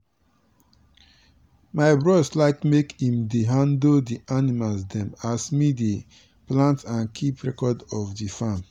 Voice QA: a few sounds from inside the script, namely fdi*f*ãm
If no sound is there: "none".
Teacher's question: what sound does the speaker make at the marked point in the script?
f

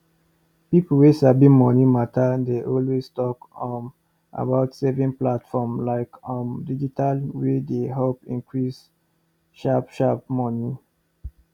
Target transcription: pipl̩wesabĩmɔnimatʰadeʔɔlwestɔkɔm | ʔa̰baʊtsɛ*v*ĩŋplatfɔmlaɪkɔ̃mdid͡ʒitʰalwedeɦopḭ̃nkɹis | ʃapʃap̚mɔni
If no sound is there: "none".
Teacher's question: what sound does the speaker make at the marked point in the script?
v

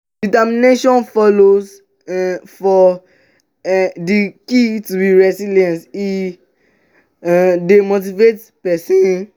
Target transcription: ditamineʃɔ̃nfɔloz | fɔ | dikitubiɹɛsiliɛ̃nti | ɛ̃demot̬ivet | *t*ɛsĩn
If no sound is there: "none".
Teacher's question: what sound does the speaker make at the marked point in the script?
p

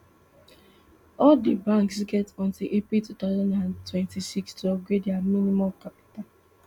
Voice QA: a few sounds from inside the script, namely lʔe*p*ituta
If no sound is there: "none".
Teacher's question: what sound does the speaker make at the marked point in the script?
p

